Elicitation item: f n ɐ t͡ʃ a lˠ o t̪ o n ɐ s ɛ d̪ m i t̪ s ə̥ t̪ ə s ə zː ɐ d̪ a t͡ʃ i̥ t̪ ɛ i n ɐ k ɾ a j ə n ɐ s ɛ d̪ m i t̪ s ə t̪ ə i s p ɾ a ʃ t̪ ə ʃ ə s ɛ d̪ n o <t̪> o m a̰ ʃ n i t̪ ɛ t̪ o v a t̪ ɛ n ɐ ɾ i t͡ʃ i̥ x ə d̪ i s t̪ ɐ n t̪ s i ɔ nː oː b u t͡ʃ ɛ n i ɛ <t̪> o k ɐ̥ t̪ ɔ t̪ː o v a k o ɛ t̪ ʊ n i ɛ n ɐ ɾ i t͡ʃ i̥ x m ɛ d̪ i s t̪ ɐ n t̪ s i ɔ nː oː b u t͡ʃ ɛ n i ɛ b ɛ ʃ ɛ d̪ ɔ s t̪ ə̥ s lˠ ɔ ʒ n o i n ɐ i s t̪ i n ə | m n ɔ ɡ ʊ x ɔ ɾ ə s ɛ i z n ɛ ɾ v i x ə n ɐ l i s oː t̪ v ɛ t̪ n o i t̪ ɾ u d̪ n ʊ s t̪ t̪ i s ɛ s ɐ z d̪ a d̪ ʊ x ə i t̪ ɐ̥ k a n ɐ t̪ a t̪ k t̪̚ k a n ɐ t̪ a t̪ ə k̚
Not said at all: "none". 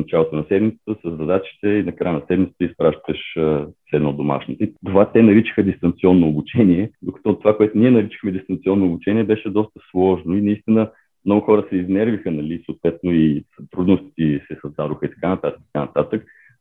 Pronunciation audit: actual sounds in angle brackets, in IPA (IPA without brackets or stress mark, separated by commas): d̪, d̪